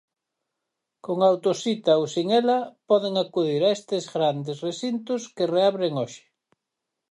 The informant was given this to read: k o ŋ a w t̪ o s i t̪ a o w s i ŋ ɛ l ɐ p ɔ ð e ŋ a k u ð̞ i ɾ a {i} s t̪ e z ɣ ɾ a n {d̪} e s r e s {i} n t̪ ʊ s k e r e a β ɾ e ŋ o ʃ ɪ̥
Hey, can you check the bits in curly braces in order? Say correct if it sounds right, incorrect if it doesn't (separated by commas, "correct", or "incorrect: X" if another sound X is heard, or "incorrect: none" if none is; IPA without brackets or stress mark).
incorrect: e, correct, correct